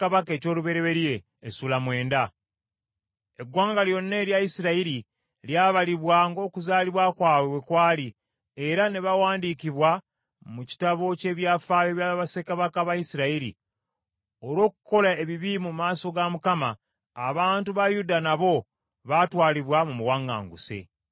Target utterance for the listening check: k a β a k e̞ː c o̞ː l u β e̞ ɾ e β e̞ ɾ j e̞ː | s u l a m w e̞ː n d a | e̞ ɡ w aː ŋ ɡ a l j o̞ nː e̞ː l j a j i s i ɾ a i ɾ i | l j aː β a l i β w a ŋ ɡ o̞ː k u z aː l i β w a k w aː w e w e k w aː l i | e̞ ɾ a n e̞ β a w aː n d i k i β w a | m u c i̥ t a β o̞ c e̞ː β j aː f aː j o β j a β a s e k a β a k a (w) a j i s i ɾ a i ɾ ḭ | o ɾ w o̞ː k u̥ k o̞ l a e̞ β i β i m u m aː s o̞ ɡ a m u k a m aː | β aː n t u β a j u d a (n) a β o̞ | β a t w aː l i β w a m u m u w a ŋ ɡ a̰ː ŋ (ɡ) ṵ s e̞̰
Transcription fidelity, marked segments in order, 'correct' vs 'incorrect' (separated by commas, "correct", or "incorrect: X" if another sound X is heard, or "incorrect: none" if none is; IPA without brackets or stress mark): incorrect: β, correct, correct